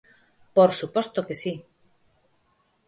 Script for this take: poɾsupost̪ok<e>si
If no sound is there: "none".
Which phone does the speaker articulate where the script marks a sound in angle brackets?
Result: e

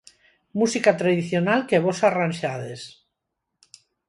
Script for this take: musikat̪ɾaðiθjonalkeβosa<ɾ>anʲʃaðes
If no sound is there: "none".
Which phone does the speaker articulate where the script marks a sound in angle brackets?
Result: r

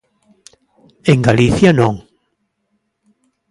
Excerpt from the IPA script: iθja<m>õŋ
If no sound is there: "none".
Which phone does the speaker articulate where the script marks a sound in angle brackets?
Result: n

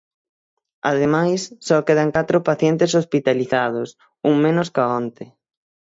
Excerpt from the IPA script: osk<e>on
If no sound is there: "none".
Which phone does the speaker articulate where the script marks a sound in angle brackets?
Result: a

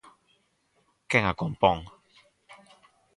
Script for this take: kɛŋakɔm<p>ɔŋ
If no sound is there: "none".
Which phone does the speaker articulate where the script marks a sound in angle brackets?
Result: p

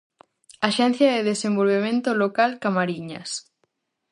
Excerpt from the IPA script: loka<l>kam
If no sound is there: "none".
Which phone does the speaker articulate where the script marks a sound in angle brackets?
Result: l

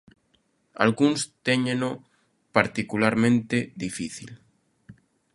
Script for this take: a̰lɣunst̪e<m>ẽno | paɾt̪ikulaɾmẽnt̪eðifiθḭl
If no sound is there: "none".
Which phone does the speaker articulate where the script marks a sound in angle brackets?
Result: ɲ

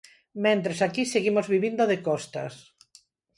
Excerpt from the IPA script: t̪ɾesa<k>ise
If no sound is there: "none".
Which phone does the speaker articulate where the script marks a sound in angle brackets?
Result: k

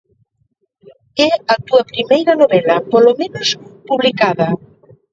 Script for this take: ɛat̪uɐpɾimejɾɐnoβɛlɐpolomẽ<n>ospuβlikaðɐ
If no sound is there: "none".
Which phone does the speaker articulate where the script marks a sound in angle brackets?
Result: n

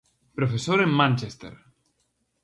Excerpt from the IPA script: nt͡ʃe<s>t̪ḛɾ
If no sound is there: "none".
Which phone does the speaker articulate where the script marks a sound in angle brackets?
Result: s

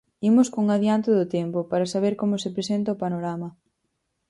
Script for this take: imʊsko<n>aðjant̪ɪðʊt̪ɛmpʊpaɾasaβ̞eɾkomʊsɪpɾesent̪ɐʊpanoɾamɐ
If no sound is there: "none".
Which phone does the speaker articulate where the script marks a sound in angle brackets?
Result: ŋ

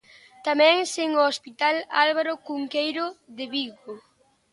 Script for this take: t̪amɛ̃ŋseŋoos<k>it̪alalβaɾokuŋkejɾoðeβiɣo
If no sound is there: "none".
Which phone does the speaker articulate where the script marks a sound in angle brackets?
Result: p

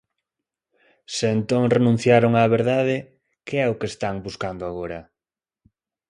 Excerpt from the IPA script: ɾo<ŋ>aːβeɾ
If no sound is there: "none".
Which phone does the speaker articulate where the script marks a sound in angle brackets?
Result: ŋ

